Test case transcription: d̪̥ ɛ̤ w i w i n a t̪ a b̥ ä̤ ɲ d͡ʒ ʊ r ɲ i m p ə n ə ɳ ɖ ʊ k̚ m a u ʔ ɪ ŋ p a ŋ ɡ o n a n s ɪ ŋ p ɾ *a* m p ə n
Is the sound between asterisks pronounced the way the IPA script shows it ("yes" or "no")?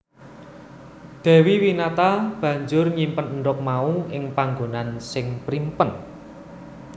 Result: no